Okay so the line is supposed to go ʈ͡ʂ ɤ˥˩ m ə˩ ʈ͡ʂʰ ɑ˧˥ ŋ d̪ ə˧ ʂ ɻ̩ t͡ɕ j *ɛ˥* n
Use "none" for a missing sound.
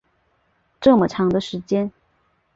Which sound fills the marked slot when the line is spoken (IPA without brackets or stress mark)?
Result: ɛ˥